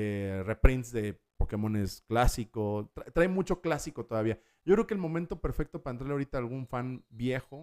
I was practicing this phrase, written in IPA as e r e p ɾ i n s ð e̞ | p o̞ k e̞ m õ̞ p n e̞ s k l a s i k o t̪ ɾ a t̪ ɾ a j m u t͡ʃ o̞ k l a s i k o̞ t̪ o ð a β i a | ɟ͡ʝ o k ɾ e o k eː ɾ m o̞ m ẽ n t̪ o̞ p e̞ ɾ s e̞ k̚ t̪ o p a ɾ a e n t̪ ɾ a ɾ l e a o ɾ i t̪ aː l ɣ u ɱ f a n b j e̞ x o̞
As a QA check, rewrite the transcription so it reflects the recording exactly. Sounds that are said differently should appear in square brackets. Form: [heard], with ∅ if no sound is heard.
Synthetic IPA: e r e p ɾ i n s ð e̞ | p o̞ k e̞ m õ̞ [∅] n e̞ s k l a s i k o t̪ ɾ a t̪ ɾ a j m u t͡ʃ o̞ k l a s i k o̞ t̪ o ð a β i a | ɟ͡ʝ o k ɾ e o k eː [l] m o̞ m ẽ n t̪ o̞ p e̞ ɾ [f] e̞ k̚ t̪ o p a ɾ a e n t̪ ɾ a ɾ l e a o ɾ i t̪ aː l ɣ u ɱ f a n b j e̞ x o̞